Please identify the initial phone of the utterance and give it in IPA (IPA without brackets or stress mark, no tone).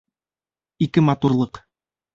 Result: i